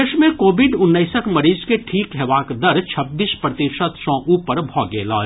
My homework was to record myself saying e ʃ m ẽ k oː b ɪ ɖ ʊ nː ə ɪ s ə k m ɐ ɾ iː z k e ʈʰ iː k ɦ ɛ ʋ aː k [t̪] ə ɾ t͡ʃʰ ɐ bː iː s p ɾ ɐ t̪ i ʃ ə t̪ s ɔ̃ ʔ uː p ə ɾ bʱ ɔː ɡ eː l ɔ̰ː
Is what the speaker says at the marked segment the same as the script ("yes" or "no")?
no